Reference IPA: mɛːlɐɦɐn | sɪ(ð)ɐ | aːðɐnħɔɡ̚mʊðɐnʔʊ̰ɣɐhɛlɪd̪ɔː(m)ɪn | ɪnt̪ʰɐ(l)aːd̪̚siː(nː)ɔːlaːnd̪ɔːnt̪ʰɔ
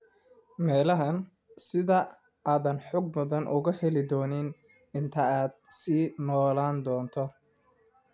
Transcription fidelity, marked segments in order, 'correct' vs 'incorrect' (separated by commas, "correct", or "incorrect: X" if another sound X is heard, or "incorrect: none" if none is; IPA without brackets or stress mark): correct, incorrect: n, incorrect: none, incorrect: n